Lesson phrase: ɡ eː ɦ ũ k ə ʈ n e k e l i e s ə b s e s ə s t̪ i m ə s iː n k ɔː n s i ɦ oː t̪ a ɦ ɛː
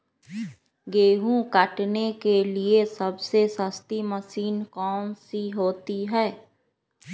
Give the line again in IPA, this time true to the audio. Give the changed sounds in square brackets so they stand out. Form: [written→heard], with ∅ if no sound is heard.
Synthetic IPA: ɡ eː ɦ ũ k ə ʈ n e k e l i e s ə b s e s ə s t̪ i m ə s iː n k ɔː n s i ɦ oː t̪ [a→i] ɦ ɛː